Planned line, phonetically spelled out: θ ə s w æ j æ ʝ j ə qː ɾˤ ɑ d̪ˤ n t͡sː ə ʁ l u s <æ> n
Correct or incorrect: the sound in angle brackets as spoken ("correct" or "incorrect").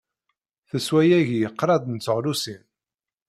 incorrect